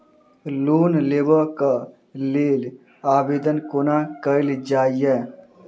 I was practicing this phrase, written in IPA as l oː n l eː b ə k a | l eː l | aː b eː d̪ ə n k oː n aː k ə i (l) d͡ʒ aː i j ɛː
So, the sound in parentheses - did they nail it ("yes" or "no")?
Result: yes